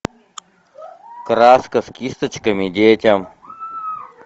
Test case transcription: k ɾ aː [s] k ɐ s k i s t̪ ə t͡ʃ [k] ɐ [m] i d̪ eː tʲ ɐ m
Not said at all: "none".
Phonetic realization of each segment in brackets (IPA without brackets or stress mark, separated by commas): s, k, m